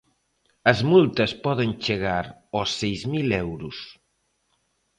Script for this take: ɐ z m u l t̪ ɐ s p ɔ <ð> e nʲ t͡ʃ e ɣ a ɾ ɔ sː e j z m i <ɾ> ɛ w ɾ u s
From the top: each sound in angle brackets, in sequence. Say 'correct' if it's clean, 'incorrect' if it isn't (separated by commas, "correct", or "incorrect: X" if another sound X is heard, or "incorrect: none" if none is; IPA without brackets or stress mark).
correct, incorrect: l